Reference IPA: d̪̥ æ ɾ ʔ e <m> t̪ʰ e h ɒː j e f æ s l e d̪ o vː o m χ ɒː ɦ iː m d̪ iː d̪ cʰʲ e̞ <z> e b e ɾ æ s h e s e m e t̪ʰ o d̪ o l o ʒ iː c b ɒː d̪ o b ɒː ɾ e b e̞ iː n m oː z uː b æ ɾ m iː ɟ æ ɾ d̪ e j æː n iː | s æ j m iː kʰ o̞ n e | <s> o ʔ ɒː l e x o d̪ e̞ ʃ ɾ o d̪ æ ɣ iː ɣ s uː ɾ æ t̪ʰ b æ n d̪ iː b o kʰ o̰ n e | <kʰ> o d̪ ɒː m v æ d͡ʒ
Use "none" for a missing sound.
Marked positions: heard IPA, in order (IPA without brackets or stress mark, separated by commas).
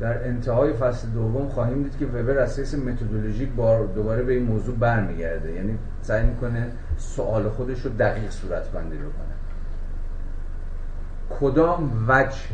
n, v, s, kʰ